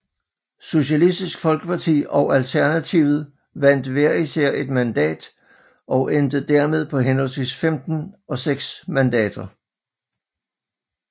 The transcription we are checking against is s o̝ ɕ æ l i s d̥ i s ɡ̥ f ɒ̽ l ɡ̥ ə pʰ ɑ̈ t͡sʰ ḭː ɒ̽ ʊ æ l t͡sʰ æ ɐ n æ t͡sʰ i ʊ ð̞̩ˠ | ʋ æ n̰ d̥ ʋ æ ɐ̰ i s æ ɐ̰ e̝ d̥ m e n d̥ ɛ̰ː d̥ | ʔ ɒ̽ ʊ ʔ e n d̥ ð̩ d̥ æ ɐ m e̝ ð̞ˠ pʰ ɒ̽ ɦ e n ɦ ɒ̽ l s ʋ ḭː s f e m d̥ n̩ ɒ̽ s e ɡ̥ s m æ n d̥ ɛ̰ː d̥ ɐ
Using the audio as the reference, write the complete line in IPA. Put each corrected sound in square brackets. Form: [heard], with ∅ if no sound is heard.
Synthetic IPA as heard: s o̝ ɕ æ l i s d̥ i s ɡ̥ f ɒ̽ l ɡ̥ ə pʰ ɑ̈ t͡sʰ ḭː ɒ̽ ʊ æ l t͡sʰ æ ɐ n æ t͡sʰ i ʊ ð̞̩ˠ | ʋ æ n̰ d̥ ʋ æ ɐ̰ i s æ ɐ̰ e̝ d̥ m [æ] n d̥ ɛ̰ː d̥ | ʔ ɒ̽ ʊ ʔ e n d̥ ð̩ d̥ æ ɐ m e̝ ð̞ˠ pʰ ɒ̽ ɦ e n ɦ ɒ̽ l s ʋ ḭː s f e m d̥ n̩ ɒ̽ s e ɡ̥ s m æ n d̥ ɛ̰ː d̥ ɐ